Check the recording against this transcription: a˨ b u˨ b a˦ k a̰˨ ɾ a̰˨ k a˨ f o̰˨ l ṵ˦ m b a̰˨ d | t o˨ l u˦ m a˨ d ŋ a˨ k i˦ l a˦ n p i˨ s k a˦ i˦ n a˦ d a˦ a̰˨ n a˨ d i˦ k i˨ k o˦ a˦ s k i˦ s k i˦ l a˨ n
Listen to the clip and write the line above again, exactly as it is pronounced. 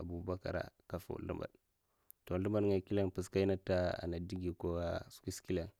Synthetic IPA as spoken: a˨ b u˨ b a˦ k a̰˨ ɾ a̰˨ k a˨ f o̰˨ l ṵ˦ m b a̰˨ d | t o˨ l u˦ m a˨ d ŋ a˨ k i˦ l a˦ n p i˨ s k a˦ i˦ n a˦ t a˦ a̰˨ n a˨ d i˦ ɡ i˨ k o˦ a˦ s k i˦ s k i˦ l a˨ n